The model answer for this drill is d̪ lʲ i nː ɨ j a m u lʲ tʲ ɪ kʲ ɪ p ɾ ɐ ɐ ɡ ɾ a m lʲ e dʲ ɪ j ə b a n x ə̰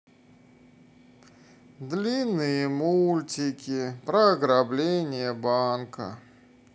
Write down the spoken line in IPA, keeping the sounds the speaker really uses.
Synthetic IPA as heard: d̪ lʲ i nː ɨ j ə m u lʲ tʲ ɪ kʲ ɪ p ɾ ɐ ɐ ɡ ɾ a b lʲ e nʲ ɪ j ə b a n k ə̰